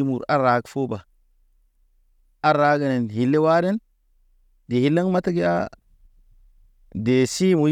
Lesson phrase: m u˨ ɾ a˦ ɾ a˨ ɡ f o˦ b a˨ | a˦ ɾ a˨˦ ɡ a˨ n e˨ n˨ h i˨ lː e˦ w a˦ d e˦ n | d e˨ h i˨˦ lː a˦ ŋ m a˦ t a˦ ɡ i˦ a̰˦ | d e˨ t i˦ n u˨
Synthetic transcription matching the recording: m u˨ ɾ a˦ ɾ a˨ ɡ f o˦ b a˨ | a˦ ɾ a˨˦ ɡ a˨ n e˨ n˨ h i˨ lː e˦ w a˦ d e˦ n | d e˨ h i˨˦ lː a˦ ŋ m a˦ t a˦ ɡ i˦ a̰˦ | d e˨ s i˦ m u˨